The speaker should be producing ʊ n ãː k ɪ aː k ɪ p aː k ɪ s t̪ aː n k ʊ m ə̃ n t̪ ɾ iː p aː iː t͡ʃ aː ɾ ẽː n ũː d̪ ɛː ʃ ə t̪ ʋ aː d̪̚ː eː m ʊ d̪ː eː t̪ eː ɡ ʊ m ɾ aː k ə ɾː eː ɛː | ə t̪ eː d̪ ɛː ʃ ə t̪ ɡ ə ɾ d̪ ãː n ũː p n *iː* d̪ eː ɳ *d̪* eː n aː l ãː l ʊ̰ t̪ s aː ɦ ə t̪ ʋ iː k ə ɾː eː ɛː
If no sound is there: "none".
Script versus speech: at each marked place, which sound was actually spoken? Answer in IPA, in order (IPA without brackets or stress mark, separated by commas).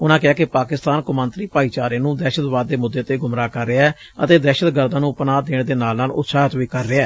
aː, d̪